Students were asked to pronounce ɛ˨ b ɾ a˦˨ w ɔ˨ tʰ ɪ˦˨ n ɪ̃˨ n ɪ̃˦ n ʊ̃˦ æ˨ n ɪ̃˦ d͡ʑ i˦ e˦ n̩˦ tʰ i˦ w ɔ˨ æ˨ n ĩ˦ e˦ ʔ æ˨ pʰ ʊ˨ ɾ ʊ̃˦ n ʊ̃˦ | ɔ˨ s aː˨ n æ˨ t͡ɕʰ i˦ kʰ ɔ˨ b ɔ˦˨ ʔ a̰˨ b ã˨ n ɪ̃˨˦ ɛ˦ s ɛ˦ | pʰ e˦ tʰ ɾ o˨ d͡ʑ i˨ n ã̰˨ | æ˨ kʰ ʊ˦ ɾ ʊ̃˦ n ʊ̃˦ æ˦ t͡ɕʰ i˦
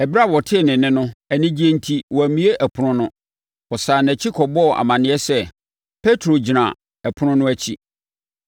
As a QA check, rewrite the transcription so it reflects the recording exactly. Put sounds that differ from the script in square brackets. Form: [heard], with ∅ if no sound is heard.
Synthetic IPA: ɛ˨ b ɾ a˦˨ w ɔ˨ tʰ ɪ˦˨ n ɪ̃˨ n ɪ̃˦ n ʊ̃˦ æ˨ n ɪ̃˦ d͡ʑ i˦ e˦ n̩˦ tʰ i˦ w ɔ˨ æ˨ [m] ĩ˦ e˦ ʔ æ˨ pʰ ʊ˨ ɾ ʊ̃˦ n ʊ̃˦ | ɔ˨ s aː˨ n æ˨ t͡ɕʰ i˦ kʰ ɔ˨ b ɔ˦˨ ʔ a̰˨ [m] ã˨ n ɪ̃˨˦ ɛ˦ s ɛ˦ | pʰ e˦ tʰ ɾ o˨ d͡ʑ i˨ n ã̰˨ | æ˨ [pʰ] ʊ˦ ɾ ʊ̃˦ n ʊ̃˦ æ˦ t͡ɕʰ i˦